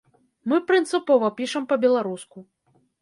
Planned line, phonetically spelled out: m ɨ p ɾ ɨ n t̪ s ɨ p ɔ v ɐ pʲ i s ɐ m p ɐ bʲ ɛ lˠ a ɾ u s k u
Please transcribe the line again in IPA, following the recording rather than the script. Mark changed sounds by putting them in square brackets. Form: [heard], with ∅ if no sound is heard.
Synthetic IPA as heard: m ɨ p ɾ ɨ n t̪ s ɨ p ɔ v ɐ pʲ i [ʂ] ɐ m p ɐ bʲ ɛ lˠ a ɾ u s k u